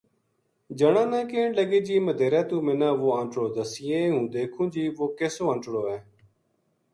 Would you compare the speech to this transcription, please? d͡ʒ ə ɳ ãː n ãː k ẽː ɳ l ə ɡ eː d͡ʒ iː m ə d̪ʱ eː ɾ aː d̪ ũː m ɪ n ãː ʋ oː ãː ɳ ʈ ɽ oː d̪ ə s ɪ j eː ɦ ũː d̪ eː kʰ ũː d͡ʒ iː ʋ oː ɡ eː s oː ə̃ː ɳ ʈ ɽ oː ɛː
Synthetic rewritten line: d͡ʒ ə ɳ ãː n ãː k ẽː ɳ l ə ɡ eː d͡ʒ iː m ə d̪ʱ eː ɾ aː t̪ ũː m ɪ n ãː ʋ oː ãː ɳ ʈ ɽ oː d̪ ə s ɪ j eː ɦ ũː d̪ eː kʰ ũː d͡ʒ iː ʋ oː k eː s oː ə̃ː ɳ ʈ ɽ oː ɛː

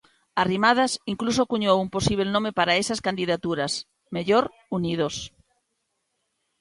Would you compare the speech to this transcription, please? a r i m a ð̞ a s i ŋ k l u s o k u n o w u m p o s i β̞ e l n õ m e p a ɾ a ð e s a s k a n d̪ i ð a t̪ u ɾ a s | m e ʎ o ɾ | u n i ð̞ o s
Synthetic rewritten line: a r i m a ð̞ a s i ŋ k l u s o k u ɲ o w u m p o s i β̞ e l n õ m e p a ɾ a e s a s k a n d̪ i ð a t̪ u ɾ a s | m e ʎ o ɾ | u n i ð̞ o s

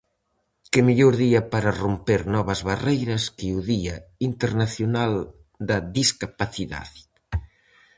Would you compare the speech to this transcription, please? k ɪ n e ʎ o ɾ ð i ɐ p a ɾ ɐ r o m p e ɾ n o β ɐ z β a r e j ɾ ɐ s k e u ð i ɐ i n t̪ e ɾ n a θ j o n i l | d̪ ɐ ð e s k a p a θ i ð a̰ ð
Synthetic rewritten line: k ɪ m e ʎ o ɾ ð i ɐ p a ɾ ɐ r o m p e ɾ n ɔ β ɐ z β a r e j ɾ ɐ s k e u ð i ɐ i n t̪ e ɾ n a θ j o n a l | d̪ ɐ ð i s k a p a θ i ð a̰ ð

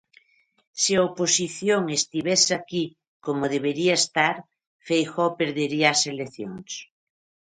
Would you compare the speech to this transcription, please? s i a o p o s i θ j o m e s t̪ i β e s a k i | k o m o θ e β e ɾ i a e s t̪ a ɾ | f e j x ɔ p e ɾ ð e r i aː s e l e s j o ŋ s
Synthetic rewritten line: s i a o p o s i θ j o ŋ e s t̪ i β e s a k i | k o m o ð e β e ɾ i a e s t̪ a ɾ | f e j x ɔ p e ɾ ð e ɾ i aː s e l e θ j o ŋ s

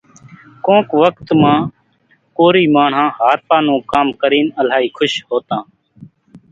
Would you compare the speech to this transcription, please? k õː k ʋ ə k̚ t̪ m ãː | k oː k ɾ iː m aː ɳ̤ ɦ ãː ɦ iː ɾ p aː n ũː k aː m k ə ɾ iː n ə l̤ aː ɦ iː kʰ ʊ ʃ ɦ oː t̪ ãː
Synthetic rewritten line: k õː k ʋ ə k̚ t̪ m ãː | k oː ɾ iː m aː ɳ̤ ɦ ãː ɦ aː ɾ p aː n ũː k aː m k ə ɾ iː n ə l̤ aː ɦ iː kʰ ʊ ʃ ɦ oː t̪ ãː

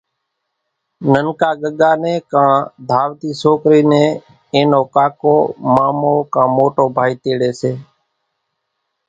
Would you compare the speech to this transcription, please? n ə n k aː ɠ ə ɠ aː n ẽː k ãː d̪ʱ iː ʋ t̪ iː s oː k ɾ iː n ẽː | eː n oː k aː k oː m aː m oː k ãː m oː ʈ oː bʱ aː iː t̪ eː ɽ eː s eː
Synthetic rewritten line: n ə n k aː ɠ ə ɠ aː n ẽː k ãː d̪ʱ aː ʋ t̪ iː s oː k ɾ iː n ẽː | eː n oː k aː k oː m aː m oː k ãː m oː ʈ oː bʱ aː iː t̪ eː ɽ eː s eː

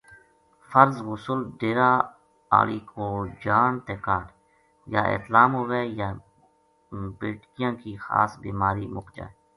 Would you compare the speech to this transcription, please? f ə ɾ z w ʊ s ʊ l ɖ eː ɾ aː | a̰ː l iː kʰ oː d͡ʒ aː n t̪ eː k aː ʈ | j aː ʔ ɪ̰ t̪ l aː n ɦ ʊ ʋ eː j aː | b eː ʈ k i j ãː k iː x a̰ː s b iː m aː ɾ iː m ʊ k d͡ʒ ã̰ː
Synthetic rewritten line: f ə ɾ z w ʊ s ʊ l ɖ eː ɾ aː | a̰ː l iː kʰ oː d͡ʒ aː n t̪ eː k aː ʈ | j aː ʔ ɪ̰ t̪ l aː m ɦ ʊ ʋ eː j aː | b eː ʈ k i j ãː k iː x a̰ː s b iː m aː ɾ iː m ʊ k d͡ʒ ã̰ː

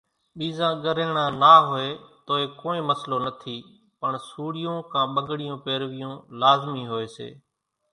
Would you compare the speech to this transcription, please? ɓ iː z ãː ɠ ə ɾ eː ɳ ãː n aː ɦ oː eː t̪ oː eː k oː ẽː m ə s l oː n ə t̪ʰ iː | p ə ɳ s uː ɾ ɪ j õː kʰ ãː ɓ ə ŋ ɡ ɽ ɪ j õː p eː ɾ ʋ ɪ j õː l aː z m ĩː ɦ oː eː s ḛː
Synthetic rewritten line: ɓ iː z ãː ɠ ə ɾ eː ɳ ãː n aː ɦ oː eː t̪ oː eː k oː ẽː m ə s l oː n ə t̪ʰ iː | p ə ɳ s uː ɽ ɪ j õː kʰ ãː ɓ ə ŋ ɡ ɽ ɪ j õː p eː ɾ ʋ ɪ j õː l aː z m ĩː ɦ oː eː s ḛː

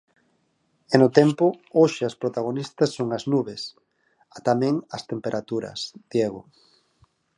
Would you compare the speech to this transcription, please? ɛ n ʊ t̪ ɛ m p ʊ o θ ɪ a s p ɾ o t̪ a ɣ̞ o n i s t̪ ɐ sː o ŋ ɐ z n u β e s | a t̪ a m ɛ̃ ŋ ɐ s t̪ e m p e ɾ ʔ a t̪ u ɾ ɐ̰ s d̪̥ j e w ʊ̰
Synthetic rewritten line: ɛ n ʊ t̪ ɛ m p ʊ o ʃ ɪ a s p ɾ o t̪ a ɣ̞ o n i s t̪ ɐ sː o ŋ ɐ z n u β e s | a t̪ a m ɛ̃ ŋ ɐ s t̪ e m p e ɾ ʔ a t̪ u ɾ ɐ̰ s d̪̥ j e ɣ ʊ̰

